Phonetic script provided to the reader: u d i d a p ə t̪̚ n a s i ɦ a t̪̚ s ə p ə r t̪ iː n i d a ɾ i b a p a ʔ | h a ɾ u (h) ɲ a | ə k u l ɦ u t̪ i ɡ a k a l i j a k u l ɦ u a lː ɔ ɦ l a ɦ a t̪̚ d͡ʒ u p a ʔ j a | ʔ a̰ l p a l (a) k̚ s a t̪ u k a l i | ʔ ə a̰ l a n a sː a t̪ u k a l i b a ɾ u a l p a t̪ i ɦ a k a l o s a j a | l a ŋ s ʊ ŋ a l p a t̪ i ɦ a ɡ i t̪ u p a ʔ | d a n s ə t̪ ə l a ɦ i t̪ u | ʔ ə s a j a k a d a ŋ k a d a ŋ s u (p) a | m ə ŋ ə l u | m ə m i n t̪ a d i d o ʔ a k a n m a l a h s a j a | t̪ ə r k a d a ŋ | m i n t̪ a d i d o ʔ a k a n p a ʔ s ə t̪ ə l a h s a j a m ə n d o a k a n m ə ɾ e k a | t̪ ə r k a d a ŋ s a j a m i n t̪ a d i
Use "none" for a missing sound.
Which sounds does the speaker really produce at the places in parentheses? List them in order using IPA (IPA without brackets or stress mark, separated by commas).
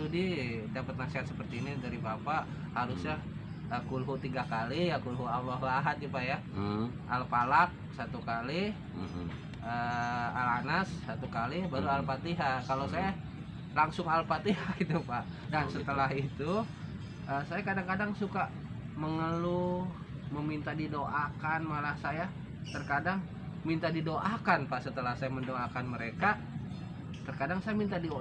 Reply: s, a, k